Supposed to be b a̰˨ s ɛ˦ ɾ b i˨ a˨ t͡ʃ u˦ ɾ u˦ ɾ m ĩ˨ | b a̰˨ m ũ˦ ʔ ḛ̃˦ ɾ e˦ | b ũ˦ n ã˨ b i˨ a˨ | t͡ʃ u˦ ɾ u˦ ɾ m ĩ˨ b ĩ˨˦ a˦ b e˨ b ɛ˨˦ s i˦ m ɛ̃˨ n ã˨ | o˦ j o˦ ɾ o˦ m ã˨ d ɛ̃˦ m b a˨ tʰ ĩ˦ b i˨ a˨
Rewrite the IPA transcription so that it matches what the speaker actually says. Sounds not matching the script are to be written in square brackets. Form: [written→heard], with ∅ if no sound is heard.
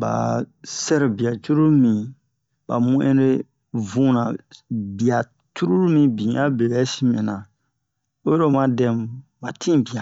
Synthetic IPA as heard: b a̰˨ s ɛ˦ ɾ b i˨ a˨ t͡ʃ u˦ ɾ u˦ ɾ m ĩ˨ | b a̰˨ m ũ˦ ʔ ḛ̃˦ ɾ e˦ | [b→v] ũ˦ n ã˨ b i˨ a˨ | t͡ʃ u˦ ɾ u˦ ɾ m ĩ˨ b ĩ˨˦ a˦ b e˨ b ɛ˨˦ s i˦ m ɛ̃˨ n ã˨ | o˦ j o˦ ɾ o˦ m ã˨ d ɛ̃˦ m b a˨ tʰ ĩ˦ b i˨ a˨